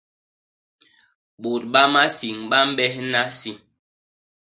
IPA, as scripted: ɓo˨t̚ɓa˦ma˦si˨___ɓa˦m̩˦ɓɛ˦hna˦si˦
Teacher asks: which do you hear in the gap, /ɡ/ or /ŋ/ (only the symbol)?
ŋ